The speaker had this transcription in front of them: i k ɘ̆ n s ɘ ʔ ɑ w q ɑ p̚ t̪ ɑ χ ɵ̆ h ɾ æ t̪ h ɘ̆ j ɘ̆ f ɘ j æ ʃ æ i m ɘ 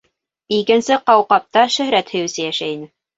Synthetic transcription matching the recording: i k ɘ̆ n s ɘ q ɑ w q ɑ p̚ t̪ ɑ ʃ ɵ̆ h ɾ æ t̪ h ɘ̆ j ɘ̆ s ɘ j æ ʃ æ i n ɘ